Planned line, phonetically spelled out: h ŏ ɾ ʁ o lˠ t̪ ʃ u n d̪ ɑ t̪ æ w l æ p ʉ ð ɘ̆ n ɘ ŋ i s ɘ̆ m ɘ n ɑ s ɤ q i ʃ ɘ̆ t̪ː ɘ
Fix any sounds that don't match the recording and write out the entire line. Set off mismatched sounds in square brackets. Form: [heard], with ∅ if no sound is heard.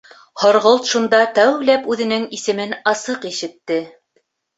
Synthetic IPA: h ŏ ɾ ʁ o lˠ t̪ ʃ u n d̪ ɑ t̪ æ w l æ p ʉ ð ɘ̆ n ɘ ŋ i s ɘ̆ m ɘ n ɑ s ɤ q i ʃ ɘ̆ t̪ː ɘ